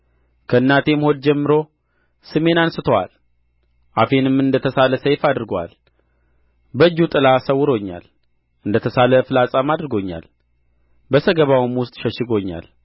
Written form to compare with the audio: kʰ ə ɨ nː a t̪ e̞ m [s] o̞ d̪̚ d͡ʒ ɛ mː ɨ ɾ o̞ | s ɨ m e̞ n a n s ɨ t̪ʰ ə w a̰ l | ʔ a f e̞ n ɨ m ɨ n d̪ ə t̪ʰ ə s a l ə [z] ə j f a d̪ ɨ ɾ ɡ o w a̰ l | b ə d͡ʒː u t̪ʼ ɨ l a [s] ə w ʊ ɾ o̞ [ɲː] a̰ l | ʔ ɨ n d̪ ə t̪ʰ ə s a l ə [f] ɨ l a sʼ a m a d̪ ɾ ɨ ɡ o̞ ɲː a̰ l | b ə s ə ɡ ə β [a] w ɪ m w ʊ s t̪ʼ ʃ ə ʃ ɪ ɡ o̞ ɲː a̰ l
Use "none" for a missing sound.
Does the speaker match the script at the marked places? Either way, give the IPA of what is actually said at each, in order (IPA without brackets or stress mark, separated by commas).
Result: h, s, s, ɲː, f, a